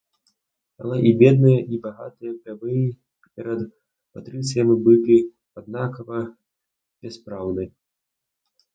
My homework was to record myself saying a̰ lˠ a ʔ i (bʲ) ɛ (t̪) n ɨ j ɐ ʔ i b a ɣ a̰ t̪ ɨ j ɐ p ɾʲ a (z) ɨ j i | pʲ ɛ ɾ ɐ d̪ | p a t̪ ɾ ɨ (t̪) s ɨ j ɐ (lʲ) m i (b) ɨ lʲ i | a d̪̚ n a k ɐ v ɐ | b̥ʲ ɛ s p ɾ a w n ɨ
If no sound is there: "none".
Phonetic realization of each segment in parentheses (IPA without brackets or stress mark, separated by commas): bʲ, d̪, v, t̪, none, b